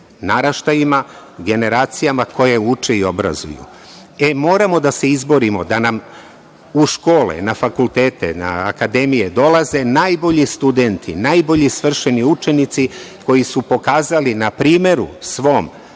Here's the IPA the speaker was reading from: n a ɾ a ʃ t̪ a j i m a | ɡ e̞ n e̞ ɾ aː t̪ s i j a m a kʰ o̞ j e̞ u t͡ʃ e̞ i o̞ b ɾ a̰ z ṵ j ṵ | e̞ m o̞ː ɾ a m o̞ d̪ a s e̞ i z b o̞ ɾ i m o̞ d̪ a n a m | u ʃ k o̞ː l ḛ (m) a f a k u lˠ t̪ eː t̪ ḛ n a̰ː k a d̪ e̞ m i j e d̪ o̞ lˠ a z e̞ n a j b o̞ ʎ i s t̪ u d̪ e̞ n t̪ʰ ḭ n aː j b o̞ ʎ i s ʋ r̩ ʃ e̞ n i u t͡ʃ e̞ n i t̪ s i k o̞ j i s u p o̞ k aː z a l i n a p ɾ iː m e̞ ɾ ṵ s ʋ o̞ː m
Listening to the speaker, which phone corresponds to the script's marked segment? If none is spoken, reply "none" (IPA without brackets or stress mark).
n